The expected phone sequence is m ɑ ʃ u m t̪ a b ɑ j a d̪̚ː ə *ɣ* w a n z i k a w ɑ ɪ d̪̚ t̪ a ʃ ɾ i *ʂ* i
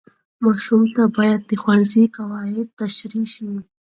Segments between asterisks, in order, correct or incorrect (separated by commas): incorrect, incorrect